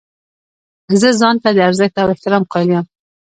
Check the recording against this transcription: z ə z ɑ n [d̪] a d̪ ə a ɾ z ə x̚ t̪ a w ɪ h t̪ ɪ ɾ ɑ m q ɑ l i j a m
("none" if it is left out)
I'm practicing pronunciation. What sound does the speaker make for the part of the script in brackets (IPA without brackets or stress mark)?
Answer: t̪